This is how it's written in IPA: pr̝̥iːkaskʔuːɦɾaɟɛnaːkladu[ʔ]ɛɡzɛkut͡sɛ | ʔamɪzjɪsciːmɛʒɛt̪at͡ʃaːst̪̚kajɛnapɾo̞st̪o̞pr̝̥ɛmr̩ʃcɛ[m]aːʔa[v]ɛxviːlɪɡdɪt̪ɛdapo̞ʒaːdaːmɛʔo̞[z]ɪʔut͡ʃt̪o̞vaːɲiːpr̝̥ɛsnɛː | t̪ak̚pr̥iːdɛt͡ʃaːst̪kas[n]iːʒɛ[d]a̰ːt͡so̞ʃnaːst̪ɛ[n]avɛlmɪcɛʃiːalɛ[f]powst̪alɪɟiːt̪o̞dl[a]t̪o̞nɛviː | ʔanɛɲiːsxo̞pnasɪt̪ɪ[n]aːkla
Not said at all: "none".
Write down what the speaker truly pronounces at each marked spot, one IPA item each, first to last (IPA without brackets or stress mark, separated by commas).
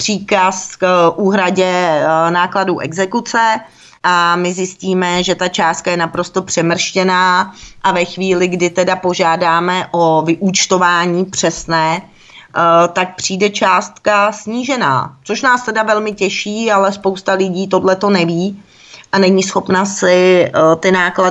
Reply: ʔ, n, v, v, ɲ, n, d, s, ɛ, n